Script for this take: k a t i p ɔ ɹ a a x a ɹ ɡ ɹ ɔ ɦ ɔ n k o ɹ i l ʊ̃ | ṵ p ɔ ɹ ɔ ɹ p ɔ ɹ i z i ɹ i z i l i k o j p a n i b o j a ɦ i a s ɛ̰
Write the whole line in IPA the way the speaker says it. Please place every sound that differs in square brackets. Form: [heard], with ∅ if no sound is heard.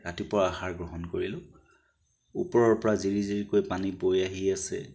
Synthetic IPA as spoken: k a t i p ɔ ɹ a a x a ɹ ɡ ɹ ɔ ɦ ɔ n k o ɹ i l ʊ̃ | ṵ p ɔ ɹ ɔ ɹ p ɔ ɹ [a] z i ɹ i z i [ɹ] i k o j p a n i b o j a ɦ i a s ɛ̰